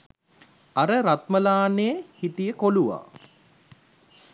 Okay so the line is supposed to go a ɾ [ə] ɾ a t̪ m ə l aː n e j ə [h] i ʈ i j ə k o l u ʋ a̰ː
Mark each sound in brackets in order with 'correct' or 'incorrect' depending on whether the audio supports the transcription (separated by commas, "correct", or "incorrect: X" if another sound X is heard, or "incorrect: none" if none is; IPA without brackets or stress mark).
correct, correct